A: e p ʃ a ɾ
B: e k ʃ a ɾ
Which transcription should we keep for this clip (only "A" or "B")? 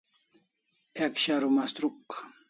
B